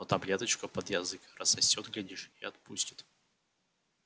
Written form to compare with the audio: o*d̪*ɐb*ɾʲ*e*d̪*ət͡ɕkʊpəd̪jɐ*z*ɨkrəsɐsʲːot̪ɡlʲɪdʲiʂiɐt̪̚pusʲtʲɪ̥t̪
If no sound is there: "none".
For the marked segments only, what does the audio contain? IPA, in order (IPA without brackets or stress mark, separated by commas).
t̪, lʲ, t̪, z